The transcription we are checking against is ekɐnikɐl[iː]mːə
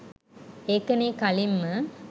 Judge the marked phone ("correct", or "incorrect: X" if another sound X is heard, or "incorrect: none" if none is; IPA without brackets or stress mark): incorrect: i